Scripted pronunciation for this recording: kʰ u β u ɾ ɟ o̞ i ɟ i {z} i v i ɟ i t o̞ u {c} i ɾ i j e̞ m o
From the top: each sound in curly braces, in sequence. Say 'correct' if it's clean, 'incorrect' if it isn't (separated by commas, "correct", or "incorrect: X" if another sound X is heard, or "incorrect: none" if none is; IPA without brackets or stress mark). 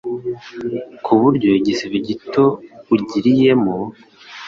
incorrect: s, incorrect: ɟ